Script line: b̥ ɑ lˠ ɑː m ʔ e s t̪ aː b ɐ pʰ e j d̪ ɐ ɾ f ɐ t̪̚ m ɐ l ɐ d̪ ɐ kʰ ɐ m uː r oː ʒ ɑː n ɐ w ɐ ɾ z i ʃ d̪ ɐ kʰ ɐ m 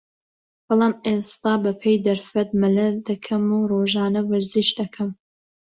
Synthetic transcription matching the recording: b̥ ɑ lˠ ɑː m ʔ e s t̪ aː b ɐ pʰ e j d̪ ɐ ɾ f ɐ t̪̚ m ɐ l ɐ d̪ ɐ kʰ ɐ m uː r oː ʒ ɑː n ɐ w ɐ ɾ z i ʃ d̪ ɐ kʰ ɐ m